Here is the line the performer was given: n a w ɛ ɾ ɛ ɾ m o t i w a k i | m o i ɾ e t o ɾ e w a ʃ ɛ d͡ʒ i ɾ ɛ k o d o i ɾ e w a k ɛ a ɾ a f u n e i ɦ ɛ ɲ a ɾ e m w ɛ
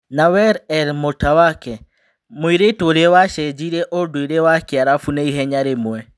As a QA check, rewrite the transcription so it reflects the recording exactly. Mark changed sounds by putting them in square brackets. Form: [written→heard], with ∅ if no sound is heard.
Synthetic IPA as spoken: n a w ɛ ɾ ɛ ɾ m o t [i→a] w a k [i→ɛ] | m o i ɾ e t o ɾ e w a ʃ ɛ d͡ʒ i ɾ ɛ [k→ʔ] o d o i ɾ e w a k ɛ a ɾ a f u n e i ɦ ɛ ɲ a ɾ e m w ɛ